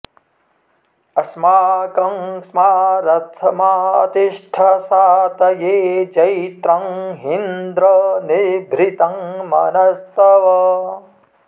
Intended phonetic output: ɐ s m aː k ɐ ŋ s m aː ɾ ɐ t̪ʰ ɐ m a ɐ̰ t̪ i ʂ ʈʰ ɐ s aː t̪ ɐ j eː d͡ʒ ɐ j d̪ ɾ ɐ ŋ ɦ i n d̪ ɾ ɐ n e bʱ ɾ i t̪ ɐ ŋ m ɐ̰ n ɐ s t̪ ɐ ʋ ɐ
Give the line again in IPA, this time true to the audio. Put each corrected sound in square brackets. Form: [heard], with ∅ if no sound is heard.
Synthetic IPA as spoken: ɐ s m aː k ɐ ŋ s m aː ɾ ɐ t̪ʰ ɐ m a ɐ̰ t̪ i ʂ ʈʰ ɐ s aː t̪ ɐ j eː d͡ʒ ɐ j [t̪] ɾ ɐ ŋ ɦ i n d̪ ɾ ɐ n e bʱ ɾ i t̪ ɐ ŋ m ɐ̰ n ɐ s t̪ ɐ ʋ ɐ